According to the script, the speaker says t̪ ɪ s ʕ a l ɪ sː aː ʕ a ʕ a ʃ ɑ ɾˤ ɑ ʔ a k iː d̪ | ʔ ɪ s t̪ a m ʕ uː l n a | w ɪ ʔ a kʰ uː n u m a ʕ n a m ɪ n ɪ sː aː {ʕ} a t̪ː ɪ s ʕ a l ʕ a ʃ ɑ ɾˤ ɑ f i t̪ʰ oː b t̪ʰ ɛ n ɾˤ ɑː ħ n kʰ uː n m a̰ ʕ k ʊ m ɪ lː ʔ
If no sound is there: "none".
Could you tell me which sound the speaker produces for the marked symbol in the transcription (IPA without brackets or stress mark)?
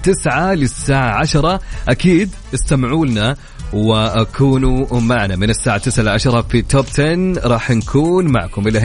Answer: ʕ